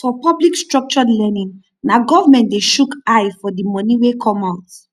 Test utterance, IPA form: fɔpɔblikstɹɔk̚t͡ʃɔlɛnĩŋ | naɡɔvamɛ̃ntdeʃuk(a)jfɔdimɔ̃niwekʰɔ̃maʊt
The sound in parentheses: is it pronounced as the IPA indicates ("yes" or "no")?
yes